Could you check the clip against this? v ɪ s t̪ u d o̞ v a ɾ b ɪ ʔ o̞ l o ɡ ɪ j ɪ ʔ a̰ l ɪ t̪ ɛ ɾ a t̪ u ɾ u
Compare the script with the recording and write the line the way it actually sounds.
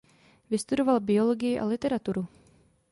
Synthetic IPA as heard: v ɪ s t̪ u d o̞ v a l b ɪ o̞ l o ɡ ɪ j ɪ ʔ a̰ l ɪ t̪ ɛ ɾ a t̪ u ɾ u